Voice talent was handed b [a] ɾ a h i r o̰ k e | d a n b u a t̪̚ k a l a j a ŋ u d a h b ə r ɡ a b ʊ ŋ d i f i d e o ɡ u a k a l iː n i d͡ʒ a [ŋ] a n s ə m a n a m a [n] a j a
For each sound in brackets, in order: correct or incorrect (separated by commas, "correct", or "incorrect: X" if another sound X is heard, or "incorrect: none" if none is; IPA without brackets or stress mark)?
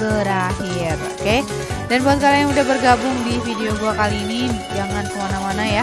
incorrect: ə, correct, correct